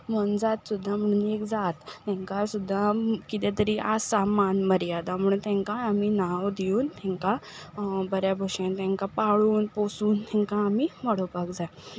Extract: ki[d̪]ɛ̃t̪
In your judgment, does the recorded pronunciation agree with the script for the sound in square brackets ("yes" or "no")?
no